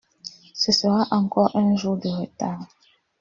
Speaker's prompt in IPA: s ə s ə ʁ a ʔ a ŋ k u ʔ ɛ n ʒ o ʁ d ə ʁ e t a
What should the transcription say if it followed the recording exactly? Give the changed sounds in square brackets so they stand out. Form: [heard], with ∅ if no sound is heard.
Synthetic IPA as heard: s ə s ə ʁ a ʔ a ŋ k [ɔ] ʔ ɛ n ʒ [u] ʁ d ə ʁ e t a